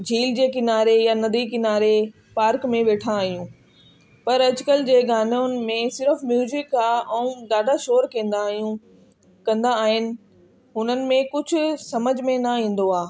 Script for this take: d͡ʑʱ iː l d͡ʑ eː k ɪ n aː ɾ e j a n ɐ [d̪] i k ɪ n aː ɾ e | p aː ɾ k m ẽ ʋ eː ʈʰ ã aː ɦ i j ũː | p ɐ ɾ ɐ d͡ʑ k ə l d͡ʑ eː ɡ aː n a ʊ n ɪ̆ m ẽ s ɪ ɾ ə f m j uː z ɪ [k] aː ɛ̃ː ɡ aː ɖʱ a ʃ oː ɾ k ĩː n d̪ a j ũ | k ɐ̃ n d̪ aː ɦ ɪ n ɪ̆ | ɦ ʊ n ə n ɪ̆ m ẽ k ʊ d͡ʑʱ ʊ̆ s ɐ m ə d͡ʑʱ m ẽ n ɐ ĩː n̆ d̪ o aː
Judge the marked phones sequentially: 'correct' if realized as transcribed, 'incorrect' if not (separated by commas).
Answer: correct, correct